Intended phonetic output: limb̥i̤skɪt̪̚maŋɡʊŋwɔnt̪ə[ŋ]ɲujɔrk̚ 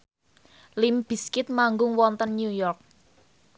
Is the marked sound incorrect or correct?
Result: incorrect